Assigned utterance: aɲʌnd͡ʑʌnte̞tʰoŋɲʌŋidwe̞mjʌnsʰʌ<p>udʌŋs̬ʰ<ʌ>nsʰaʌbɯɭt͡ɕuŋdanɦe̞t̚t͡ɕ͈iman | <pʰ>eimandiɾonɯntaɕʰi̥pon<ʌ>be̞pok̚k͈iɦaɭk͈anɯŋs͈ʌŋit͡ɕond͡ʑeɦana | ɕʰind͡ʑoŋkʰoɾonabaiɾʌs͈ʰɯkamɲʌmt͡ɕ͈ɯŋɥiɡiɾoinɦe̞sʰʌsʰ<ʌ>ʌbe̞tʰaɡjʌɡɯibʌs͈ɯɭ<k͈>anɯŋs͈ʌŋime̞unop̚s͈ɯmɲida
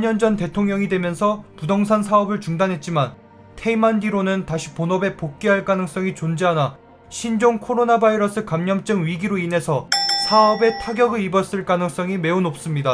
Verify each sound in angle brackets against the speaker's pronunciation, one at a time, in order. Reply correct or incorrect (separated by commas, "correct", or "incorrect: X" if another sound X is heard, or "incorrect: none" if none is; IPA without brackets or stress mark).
correct, incorrect: a, incorrect: tʰ, correct, incorrect: a, correct